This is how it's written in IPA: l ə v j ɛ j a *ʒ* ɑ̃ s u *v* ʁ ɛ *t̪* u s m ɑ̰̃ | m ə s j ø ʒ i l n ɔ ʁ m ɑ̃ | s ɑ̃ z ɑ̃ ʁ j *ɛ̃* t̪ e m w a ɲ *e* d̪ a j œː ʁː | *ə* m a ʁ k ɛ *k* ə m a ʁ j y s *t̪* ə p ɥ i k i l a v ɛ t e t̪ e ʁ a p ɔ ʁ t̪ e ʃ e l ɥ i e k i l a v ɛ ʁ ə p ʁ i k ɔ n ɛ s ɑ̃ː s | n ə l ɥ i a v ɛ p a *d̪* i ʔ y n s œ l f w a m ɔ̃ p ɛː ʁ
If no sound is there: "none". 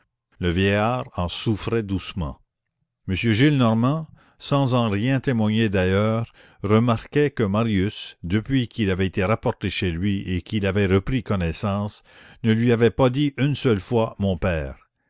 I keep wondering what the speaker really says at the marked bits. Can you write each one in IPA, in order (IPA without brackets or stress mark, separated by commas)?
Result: ʁ, f, d̪, ɛ̃, e, ə, k, d̪, d̪